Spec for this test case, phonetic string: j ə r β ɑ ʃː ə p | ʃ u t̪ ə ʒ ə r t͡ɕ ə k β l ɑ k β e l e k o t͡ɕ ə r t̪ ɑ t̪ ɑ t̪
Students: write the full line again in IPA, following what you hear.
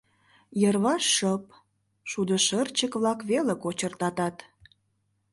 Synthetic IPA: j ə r β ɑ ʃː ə p | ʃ u d̪ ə ʃ ə r t͡ɕ ə k β l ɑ k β e l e k o t͡ɕ ə r t̪ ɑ t̪ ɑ t̪